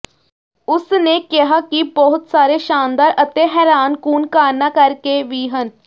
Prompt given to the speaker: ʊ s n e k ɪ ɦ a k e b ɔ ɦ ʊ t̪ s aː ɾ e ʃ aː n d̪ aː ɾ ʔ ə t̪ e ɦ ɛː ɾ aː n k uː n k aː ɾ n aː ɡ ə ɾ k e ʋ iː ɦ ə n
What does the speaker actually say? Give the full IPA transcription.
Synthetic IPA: ʊ s n e k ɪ ɦ a k i b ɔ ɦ ʊ t̪ s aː ɾ e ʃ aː n d̪ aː ɾ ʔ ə t̪ e ɦ ɛː ɾ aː n k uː n k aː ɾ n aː k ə ɾ k e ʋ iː ɦ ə n